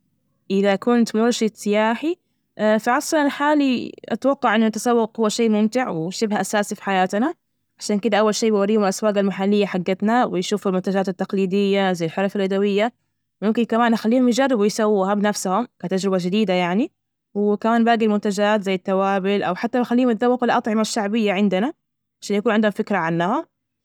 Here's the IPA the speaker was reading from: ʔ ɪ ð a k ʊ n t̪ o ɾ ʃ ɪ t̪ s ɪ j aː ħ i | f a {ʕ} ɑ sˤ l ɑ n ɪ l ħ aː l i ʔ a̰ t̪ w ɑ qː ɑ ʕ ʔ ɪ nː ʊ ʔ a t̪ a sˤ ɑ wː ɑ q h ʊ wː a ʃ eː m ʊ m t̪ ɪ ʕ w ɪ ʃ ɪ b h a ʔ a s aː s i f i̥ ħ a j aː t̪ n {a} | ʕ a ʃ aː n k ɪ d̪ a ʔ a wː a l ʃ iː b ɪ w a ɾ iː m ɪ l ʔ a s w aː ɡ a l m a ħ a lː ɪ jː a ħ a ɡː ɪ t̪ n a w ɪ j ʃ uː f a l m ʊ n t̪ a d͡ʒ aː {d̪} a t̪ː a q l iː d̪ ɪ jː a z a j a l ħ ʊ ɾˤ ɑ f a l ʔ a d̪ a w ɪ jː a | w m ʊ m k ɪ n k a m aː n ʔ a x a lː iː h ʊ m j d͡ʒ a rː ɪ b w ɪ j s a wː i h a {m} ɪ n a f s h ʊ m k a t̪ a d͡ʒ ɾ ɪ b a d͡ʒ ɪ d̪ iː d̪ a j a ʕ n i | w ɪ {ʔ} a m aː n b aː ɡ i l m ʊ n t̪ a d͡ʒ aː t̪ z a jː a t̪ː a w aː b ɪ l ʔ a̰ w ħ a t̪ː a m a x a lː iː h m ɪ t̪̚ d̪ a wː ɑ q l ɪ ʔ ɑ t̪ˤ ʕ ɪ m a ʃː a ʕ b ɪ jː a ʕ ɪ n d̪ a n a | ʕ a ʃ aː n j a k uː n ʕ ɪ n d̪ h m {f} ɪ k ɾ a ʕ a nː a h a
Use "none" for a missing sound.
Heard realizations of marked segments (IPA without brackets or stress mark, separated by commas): ʕ, a, t̪, b, k, f